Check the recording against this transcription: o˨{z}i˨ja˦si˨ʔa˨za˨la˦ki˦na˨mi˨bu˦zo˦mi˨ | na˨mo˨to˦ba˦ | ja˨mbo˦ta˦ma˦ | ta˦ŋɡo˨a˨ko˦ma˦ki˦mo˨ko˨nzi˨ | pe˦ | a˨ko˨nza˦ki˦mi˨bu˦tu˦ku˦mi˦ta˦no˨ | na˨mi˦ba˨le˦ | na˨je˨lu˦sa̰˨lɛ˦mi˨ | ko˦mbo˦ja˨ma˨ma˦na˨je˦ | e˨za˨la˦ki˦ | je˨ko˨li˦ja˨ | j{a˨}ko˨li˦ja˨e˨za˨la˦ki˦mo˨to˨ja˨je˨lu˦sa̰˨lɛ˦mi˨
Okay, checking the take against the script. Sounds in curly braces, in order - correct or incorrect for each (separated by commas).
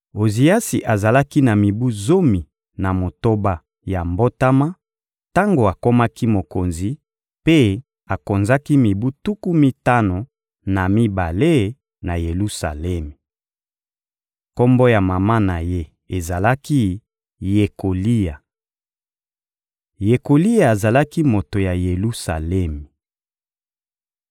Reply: correct, incorrect